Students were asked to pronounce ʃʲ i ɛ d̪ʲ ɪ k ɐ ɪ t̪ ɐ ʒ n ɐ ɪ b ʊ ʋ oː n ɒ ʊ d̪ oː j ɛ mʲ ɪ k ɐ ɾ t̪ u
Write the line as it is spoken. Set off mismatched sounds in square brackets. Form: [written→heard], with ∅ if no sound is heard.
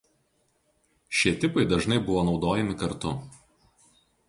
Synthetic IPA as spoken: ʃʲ i ɛ [d̪ʲ→t̪ʲ] ɪ [k→p] ɐ ɪ [t̪→d̪] ɐ ʒ n ɐ ɪ b ʊ ʋ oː n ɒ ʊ d̪ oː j ɛ mʲ ɪ k ɐ ɾ t̪ [u→ʊ]